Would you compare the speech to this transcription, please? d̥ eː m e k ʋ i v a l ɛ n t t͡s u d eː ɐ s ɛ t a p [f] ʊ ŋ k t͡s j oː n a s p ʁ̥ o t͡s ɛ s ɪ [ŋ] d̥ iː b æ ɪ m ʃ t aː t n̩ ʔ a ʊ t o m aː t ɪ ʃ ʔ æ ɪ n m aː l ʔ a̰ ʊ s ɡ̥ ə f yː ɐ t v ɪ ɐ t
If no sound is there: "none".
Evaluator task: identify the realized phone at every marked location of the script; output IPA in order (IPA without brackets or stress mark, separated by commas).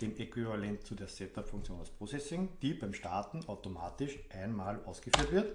f, ŋ